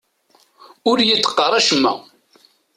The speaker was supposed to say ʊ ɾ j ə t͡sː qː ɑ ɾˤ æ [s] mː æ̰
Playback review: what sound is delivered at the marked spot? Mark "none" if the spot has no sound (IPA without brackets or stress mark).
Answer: ʃ